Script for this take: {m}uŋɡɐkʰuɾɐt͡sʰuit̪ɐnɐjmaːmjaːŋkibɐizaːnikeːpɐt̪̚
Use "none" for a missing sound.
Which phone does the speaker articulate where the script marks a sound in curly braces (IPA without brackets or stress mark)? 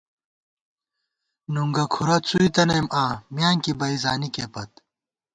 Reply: n